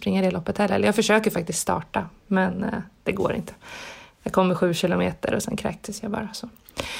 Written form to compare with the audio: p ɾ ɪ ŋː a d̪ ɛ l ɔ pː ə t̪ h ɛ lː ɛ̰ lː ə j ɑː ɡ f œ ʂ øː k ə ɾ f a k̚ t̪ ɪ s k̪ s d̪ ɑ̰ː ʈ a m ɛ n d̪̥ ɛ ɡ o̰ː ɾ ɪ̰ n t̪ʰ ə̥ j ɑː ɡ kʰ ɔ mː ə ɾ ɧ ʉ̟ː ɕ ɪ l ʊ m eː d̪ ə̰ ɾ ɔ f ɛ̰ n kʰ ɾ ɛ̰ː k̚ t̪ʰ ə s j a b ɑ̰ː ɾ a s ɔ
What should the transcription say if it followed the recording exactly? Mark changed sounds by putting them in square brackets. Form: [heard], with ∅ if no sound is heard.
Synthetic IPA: p ɾ ɪ ŋː a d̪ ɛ l ɔ pː ə t̪ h ɛ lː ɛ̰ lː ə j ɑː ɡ f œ ʂ øː k ə ɾ f a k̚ t̪ ɪ s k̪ s [t̪] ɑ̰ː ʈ a m ɛ n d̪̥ ɛ ɡ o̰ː ɾ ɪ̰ n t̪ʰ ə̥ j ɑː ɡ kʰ ɔ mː ə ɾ ɧ ʉ̟ː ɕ ɪ l ʊ m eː [t̪] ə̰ ɾ ɔ [s] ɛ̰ n kʰ ɾ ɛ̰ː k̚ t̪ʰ ə s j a b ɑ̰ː ɾ a s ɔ